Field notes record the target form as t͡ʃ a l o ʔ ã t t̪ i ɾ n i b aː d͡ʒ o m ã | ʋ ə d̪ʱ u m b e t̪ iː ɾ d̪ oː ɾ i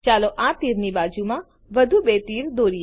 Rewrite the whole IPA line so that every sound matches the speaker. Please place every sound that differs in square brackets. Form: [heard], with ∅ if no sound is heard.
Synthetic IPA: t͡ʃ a l o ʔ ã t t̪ i ɾ n i b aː d͡ʒ [u] m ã | ʋ ə d̪ʱ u [∅] b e t̪ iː ɾ d̪ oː ɾ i